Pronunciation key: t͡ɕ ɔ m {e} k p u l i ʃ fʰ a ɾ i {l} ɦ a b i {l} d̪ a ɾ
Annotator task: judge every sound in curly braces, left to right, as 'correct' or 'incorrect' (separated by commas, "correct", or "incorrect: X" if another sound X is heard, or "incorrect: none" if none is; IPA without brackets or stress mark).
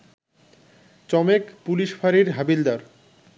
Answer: correct, incorrect: ɾ, correct